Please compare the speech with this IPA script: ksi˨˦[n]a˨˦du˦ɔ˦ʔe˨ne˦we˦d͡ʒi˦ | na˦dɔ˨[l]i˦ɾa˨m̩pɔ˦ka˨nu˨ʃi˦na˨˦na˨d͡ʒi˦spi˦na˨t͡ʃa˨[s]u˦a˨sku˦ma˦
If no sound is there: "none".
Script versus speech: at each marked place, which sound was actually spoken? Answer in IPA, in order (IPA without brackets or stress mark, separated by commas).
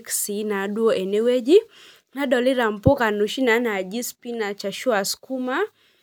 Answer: n, l, ʃ